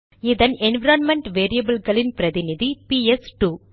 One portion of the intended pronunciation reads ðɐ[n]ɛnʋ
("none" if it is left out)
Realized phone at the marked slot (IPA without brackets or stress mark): n